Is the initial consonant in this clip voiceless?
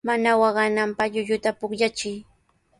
no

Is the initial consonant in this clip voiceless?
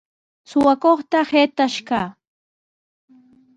yes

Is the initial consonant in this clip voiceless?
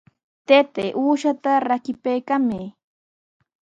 yes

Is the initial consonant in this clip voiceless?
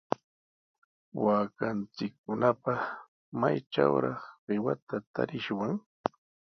no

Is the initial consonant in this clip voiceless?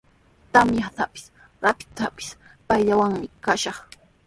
yes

